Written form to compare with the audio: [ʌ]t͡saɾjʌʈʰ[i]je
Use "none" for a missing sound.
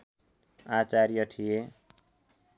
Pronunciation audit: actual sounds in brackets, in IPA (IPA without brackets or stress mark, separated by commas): a, i